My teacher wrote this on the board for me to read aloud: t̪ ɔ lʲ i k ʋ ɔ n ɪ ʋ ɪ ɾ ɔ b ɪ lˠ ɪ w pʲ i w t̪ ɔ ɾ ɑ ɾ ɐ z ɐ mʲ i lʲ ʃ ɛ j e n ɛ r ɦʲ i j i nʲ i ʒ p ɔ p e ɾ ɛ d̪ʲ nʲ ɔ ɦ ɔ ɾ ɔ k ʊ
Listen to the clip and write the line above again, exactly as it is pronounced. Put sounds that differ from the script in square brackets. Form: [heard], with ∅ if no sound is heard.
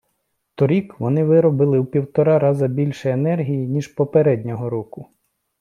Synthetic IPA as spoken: t̪ ɔ [ɾʲ] i k ʋ ɔ n ɪ ʋ ɪ ɾ ɔ b ɪ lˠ ɪ w pʲ i w t̪ ɔ ɾ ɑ ɾ [ɑ] z ɐ [bʲ] i lʲ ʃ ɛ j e n ɛ r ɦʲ i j i nʲ i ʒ p ɔ p e ɾ ɛ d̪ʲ nʲ ɔ ɦ ɔ ɾ ɔ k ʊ